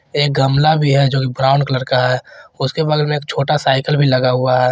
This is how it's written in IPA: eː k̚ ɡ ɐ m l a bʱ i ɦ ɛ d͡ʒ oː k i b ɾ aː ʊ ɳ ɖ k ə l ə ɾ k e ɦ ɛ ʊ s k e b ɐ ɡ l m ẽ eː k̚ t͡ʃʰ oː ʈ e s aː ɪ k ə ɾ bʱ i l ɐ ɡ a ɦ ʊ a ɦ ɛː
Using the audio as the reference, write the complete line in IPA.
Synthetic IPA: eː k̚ ɡ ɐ m l a bʱ i ɦ ɛ d͡ʒ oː k i b ɾ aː ʊ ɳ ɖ k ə l ə ɾ k a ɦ ɛ ʊ s k e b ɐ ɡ l m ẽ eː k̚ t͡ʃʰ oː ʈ a s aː ɪ k ə l bʱ i l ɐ ɡ a ɦ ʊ a ɦ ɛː